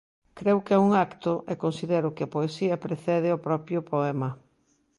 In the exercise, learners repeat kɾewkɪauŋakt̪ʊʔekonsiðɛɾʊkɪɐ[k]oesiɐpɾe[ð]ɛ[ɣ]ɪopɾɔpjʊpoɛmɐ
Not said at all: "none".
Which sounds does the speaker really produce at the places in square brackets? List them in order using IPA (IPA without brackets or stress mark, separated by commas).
p, θ, ð